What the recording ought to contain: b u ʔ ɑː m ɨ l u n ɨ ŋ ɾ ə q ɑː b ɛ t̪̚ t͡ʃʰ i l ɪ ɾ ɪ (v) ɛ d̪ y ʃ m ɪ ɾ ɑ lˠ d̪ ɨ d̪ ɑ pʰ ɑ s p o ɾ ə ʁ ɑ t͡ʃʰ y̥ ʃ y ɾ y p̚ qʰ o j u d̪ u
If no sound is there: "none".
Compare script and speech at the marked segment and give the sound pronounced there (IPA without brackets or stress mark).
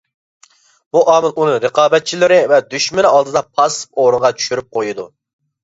v